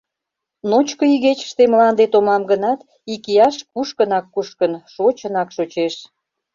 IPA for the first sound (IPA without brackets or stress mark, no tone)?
n